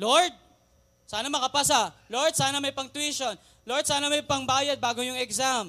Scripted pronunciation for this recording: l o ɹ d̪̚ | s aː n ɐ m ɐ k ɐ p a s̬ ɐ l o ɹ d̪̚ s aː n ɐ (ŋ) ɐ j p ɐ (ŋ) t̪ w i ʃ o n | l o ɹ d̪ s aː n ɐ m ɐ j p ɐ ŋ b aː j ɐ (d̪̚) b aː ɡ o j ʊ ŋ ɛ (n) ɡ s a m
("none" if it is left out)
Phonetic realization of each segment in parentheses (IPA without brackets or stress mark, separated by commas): m, ŋ, d̪̚, none